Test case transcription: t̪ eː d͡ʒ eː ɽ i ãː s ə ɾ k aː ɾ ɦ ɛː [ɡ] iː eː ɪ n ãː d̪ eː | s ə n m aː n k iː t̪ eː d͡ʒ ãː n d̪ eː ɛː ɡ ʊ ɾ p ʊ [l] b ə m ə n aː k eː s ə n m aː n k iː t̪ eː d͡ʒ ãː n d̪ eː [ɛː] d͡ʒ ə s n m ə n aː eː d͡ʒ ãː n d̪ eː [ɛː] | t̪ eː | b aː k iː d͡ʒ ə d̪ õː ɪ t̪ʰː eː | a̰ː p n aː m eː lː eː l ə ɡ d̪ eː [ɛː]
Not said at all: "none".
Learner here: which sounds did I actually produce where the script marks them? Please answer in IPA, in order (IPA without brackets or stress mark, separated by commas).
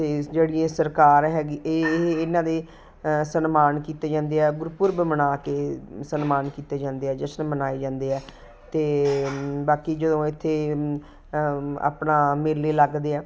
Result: ɡ, ɾ, ɛː, ɛː, ɛː